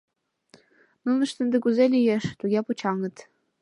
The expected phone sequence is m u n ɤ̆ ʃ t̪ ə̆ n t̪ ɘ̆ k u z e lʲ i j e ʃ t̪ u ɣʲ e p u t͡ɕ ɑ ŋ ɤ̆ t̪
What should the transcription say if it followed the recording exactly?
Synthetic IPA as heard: n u n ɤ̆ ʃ t̪ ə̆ n d̪ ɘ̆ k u z e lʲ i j e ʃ t̪ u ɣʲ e p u t͡ɕ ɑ ŋ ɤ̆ t̪